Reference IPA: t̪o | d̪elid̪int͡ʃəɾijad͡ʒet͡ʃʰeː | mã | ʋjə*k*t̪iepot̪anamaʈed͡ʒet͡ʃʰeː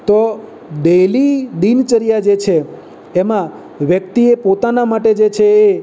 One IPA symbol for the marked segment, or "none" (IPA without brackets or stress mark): k